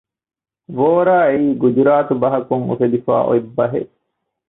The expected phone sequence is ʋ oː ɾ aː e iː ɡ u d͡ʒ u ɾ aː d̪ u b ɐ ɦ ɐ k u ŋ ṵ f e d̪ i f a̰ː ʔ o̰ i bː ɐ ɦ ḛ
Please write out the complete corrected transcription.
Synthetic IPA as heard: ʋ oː ɾ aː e iː ɡ u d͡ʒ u ɾ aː t̪ u b ɐ ɦ ɐ k u ŋ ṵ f e d̪ i f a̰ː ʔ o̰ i bː ɐ ɦ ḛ